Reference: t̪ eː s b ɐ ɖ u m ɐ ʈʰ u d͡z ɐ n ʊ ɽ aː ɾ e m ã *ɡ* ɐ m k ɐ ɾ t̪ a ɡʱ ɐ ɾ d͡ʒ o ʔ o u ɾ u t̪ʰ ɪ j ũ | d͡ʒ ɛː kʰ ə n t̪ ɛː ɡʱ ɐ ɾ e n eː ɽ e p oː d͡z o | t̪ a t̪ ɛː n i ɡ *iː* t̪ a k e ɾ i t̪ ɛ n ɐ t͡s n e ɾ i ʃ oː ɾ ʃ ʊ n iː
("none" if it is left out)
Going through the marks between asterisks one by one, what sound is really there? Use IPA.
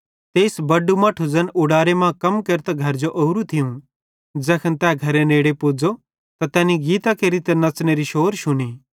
k, iː

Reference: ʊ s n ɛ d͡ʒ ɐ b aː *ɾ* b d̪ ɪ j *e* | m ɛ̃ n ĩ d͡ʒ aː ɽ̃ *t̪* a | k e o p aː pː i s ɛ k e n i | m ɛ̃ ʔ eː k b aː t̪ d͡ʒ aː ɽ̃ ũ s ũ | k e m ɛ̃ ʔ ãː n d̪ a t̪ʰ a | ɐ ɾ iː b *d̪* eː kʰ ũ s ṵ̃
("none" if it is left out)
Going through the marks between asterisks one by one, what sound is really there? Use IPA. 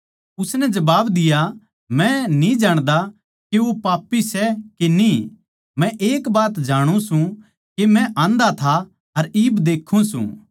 none, a, d̪, d̪

